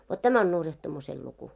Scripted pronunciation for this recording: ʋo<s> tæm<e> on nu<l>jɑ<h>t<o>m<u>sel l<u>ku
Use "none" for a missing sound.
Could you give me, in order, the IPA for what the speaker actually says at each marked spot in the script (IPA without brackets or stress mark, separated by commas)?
t, æ, r, h, u, u, u